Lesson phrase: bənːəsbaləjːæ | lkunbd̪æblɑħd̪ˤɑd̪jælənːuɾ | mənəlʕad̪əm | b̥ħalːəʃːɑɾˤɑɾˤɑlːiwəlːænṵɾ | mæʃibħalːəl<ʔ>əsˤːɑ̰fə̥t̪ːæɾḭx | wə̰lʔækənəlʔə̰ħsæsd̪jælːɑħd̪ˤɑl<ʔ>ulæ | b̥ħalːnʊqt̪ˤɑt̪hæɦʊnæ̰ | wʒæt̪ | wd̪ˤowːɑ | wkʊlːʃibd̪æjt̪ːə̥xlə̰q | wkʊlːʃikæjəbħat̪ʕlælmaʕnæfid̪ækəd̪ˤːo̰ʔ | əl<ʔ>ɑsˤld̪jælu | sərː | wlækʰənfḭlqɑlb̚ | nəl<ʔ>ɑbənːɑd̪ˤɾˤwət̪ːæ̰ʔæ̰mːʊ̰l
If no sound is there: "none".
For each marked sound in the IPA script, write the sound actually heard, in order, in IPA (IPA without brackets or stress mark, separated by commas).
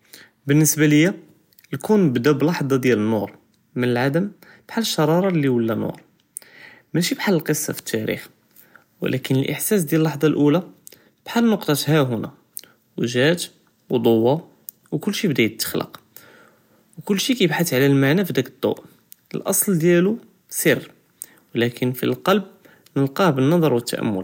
q, ʔ, ʔ, q